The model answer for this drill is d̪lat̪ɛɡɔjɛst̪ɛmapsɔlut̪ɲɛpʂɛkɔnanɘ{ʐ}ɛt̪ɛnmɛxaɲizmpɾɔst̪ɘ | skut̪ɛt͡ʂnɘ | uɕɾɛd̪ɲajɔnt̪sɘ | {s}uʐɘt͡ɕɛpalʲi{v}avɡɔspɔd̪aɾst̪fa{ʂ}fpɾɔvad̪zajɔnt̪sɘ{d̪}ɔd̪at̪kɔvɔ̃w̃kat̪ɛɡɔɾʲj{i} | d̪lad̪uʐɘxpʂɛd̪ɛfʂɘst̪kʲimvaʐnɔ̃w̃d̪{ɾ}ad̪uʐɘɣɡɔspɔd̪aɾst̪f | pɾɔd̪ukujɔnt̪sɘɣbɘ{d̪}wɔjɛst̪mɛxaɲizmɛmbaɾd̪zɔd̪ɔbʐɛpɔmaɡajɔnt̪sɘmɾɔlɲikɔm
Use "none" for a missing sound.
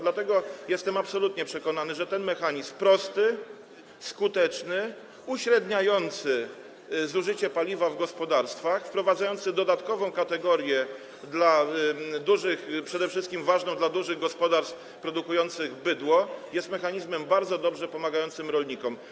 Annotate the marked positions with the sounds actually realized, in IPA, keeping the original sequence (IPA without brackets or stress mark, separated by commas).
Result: ʐ, z, v, x, d̪, ɛ, l, d̪